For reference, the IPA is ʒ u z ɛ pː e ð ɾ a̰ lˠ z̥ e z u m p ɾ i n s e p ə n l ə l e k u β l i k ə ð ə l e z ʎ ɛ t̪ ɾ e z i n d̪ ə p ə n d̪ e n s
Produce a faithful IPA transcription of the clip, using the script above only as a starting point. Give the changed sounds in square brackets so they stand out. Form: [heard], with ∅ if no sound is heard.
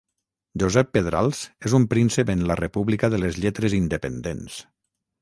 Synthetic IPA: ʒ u z ɛ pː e ð ɾ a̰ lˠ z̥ e z u m p ɾ i n s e p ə n l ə [r] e [p] u β l i k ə ð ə l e z ʎ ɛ t̪ ɾ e z i n d̪ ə p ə n d̪ e n s